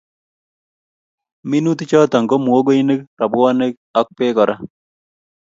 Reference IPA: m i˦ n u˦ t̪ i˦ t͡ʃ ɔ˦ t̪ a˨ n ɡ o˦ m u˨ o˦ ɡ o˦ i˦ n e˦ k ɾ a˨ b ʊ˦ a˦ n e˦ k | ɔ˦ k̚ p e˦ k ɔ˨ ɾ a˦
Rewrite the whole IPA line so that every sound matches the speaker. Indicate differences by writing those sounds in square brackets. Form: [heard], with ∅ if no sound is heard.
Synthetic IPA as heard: m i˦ n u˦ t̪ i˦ t͡ʃ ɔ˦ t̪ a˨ [ŋ] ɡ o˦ m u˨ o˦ ɡ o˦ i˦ n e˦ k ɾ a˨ b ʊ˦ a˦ n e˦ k | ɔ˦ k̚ p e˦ k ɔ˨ ɾ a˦